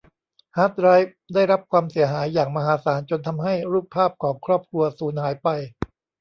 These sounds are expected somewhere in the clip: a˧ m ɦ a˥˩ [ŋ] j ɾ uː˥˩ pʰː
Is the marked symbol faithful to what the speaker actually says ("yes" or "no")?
no